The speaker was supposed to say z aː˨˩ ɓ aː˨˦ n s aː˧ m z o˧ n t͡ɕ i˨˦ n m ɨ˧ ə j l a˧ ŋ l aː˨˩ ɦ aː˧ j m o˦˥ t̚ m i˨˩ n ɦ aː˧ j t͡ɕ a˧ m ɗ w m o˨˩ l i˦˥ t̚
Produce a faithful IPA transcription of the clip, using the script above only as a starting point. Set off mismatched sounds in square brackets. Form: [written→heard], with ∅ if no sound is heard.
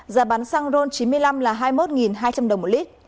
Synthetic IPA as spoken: z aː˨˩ ɓ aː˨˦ n s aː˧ [m→ŋ] z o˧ n t͡ɕ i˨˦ n m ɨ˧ ə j l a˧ [ŋ→m] l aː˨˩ ɦ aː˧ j m o˦˥ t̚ [m→ŋ] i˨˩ n ɦ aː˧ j t͡ɕ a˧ m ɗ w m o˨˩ l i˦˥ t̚